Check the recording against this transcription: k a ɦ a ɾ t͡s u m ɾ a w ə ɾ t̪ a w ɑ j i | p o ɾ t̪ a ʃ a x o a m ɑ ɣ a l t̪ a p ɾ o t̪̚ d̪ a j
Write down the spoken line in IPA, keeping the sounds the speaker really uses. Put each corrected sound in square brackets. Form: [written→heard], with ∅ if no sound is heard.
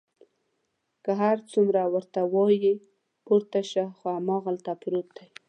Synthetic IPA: k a ɦ a ɾ t͡s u m ɾ a w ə ɾ t̪ a w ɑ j i | p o ɾ t̪ a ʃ a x o a m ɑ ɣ a l t̪ a p ɾ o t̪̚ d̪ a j

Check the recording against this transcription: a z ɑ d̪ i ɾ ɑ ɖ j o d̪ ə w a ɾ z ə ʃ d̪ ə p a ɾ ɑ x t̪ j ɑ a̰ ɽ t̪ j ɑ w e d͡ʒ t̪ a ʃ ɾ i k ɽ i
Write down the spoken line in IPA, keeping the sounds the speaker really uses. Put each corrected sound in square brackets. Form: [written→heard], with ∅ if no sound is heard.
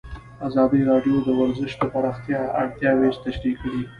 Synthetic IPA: a z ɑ d̪ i ɾ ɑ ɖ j o d̪ ə w a ɾ z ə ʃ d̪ ə p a ɾ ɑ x t̪ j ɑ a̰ ɽ t̪ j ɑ w e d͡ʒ t̪ a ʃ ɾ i k ɽ i

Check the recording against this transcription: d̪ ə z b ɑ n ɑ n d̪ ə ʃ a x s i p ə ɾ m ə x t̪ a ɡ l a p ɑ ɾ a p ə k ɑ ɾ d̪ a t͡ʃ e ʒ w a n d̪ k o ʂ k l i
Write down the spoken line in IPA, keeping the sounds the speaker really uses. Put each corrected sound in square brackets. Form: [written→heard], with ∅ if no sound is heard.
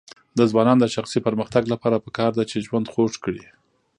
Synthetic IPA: d̪ ə z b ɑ n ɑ n d̪ ə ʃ a x s i p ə ɾ m ə x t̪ a ɡ l a p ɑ ɾ a p ə k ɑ ɾ d̪ a t͡ʃ e ʒ w a n d̪ [k→x] o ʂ k [l→ɽ] i

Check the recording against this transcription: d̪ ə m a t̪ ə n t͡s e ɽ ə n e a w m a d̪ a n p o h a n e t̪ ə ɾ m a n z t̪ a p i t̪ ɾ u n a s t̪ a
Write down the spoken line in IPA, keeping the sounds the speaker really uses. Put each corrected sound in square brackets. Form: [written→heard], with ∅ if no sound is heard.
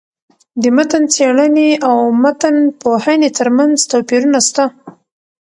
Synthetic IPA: d̪ ə m a t̪ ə n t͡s e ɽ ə n e a w m a [d̪→t̪] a n p o h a n e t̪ ə ɾ m a n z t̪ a p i [t̪→∅] ɾ u n a s t̪ a

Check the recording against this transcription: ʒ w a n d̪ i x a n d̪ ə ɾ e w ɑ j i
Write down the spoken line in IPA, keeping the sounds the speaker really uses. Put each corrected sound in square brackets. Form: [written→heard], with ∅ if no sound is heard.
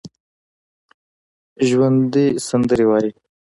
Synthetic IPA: ʒ w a n d̪ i [x→s] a n d̪ ə ɾ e w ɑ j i

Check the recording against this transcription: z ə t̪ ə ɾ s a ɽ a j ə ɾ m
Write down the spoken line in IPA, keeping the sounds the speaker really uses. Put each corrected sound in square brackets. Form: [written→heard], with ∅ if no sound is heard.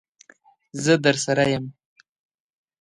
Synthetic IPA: z ə [t̪→d̪] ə ɾ s a [ɽ→ɾ] a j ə [ɾ→∅] m

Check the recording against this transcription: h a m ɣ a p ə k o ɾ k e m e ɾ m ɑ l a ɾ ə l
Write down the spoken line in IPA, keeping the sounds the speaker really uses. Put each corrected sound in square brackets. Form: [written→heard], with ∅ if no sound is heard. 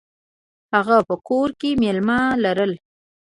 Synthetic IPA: h a [m→∅] ɣ a p ə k o ɾ k e m e [ɾ→l] m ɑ l a ɾ ə l

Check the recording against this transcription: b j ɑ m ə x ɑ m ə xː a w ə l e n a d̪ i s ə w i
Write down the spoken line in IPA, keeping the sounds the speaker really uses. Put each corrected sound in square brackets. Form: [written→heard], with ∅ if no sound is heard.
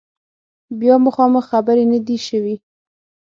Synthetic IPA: b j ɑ m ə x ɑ m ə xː a [w→b] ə [l→ɾ] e n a d̪ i [s→ʃ] ə w i

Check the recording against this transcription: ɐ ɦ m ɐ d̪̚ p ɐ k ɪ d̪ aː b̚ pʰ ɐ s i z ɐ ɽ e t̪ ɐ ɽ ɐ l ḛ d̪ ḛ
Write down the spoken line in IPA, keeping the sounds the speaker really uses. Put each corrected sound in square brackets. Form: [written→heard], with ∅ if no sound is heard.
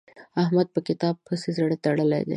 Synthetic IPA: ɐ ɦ m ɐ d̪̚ p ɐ k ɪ [d̪→t̪] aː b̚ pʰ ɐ s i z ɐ ɽ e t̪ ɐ ɽ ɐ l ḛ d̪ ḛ

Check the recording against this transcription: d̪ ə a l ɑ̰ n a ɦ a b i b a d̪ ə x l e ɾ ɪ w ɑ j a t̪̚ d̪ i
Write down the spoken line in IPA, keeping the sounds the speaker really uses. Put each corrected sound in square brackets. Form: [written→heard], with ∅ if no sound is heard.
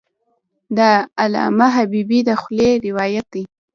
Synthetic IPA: d̪ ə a l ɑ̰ [n→m] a ɦ a b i b [a→i] d̪ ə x l e ɾ ɪ w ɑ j a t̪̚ d̪ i

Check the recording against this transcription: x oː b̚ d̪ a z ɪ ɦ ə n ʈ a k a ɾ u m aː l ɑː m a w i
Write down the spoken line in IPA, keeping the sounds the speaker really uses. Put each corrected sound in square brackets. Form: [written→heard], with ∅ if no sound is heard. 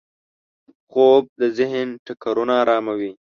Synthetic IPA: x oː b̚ d̪ [a→ə] z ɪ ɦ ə n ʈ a k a ɾ u [m→n] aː [l→ɾ] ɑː m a w i

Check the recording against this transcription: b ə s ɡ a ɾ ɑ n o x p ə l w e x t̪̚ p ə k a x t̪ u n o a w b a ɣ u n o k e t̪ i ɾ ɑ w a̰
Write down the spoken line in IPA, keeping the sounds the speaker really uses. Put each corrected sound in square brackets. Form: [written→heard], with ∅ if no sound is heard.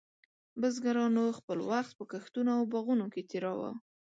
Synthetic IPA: b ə [s→z] ɡ a ɾ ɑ n o x p ə l w [e→a] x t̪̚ p ə k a x t̪ u n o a w b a ɣ u n o k e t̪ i ɾ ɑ w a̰

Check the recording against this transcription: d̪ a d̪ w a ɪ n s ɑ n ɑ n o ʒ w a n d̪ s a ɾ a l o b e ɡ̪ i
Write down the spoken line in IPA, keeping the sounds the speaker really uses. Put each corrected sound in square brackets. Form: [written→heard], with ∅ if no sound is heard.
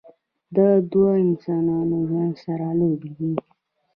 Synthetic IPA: d̪ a d̪ w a ɪ n s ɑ n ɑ n o ʒ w a n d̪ s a ɾ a l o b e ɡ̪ i

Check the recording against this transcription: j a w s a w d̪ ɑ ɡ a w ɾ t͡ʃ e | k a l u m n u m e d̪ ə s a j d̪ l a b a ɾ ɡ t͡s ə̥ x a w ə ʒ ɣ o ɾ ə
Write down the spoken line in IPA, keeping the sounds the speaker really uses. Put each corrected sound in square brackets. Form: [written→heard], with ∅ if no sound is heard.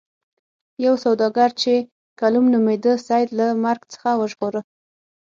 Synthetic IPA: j a w s a w d̪ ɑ ɡ a [w→∅] ɾ t͡ʃ e | k a l u m n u m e d̪ ə s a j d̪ l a [b→m] a ɾ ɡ t͡s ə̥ x a w ə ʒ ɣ o ɾ ə

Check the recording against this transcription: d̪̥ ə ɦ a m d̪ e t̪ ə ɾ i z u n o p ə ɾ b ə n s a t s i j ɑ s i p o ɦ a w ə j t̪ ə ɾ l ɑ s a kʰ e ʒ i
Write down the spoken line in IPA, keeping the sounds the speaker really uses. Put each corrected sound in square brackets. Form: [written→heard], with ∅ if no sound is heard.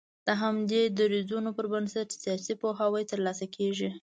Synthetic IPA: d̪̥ ə ɦ a m d̪ e [t̪→d̪] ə ɾ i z u n o p ə ɾ b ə n s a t s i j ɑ s i p o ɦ a w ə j t̪ ə ɾ l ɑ s a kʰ e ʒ i

